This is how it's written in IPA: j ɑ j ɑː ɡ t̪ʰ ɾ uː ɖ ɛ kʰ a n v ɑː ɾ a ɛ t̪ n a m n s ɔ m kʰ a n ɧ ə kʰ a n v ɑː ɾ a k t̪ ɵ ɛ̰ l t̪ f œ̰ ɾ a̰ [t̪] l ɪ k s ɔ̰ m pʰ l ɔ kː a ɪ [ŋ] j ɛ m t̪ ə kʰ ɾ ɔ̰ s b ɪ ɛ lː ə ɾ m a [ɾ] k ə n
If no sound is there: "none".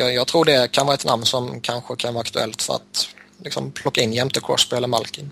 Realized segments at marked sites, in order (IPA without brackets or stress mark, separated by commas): t̪, n, l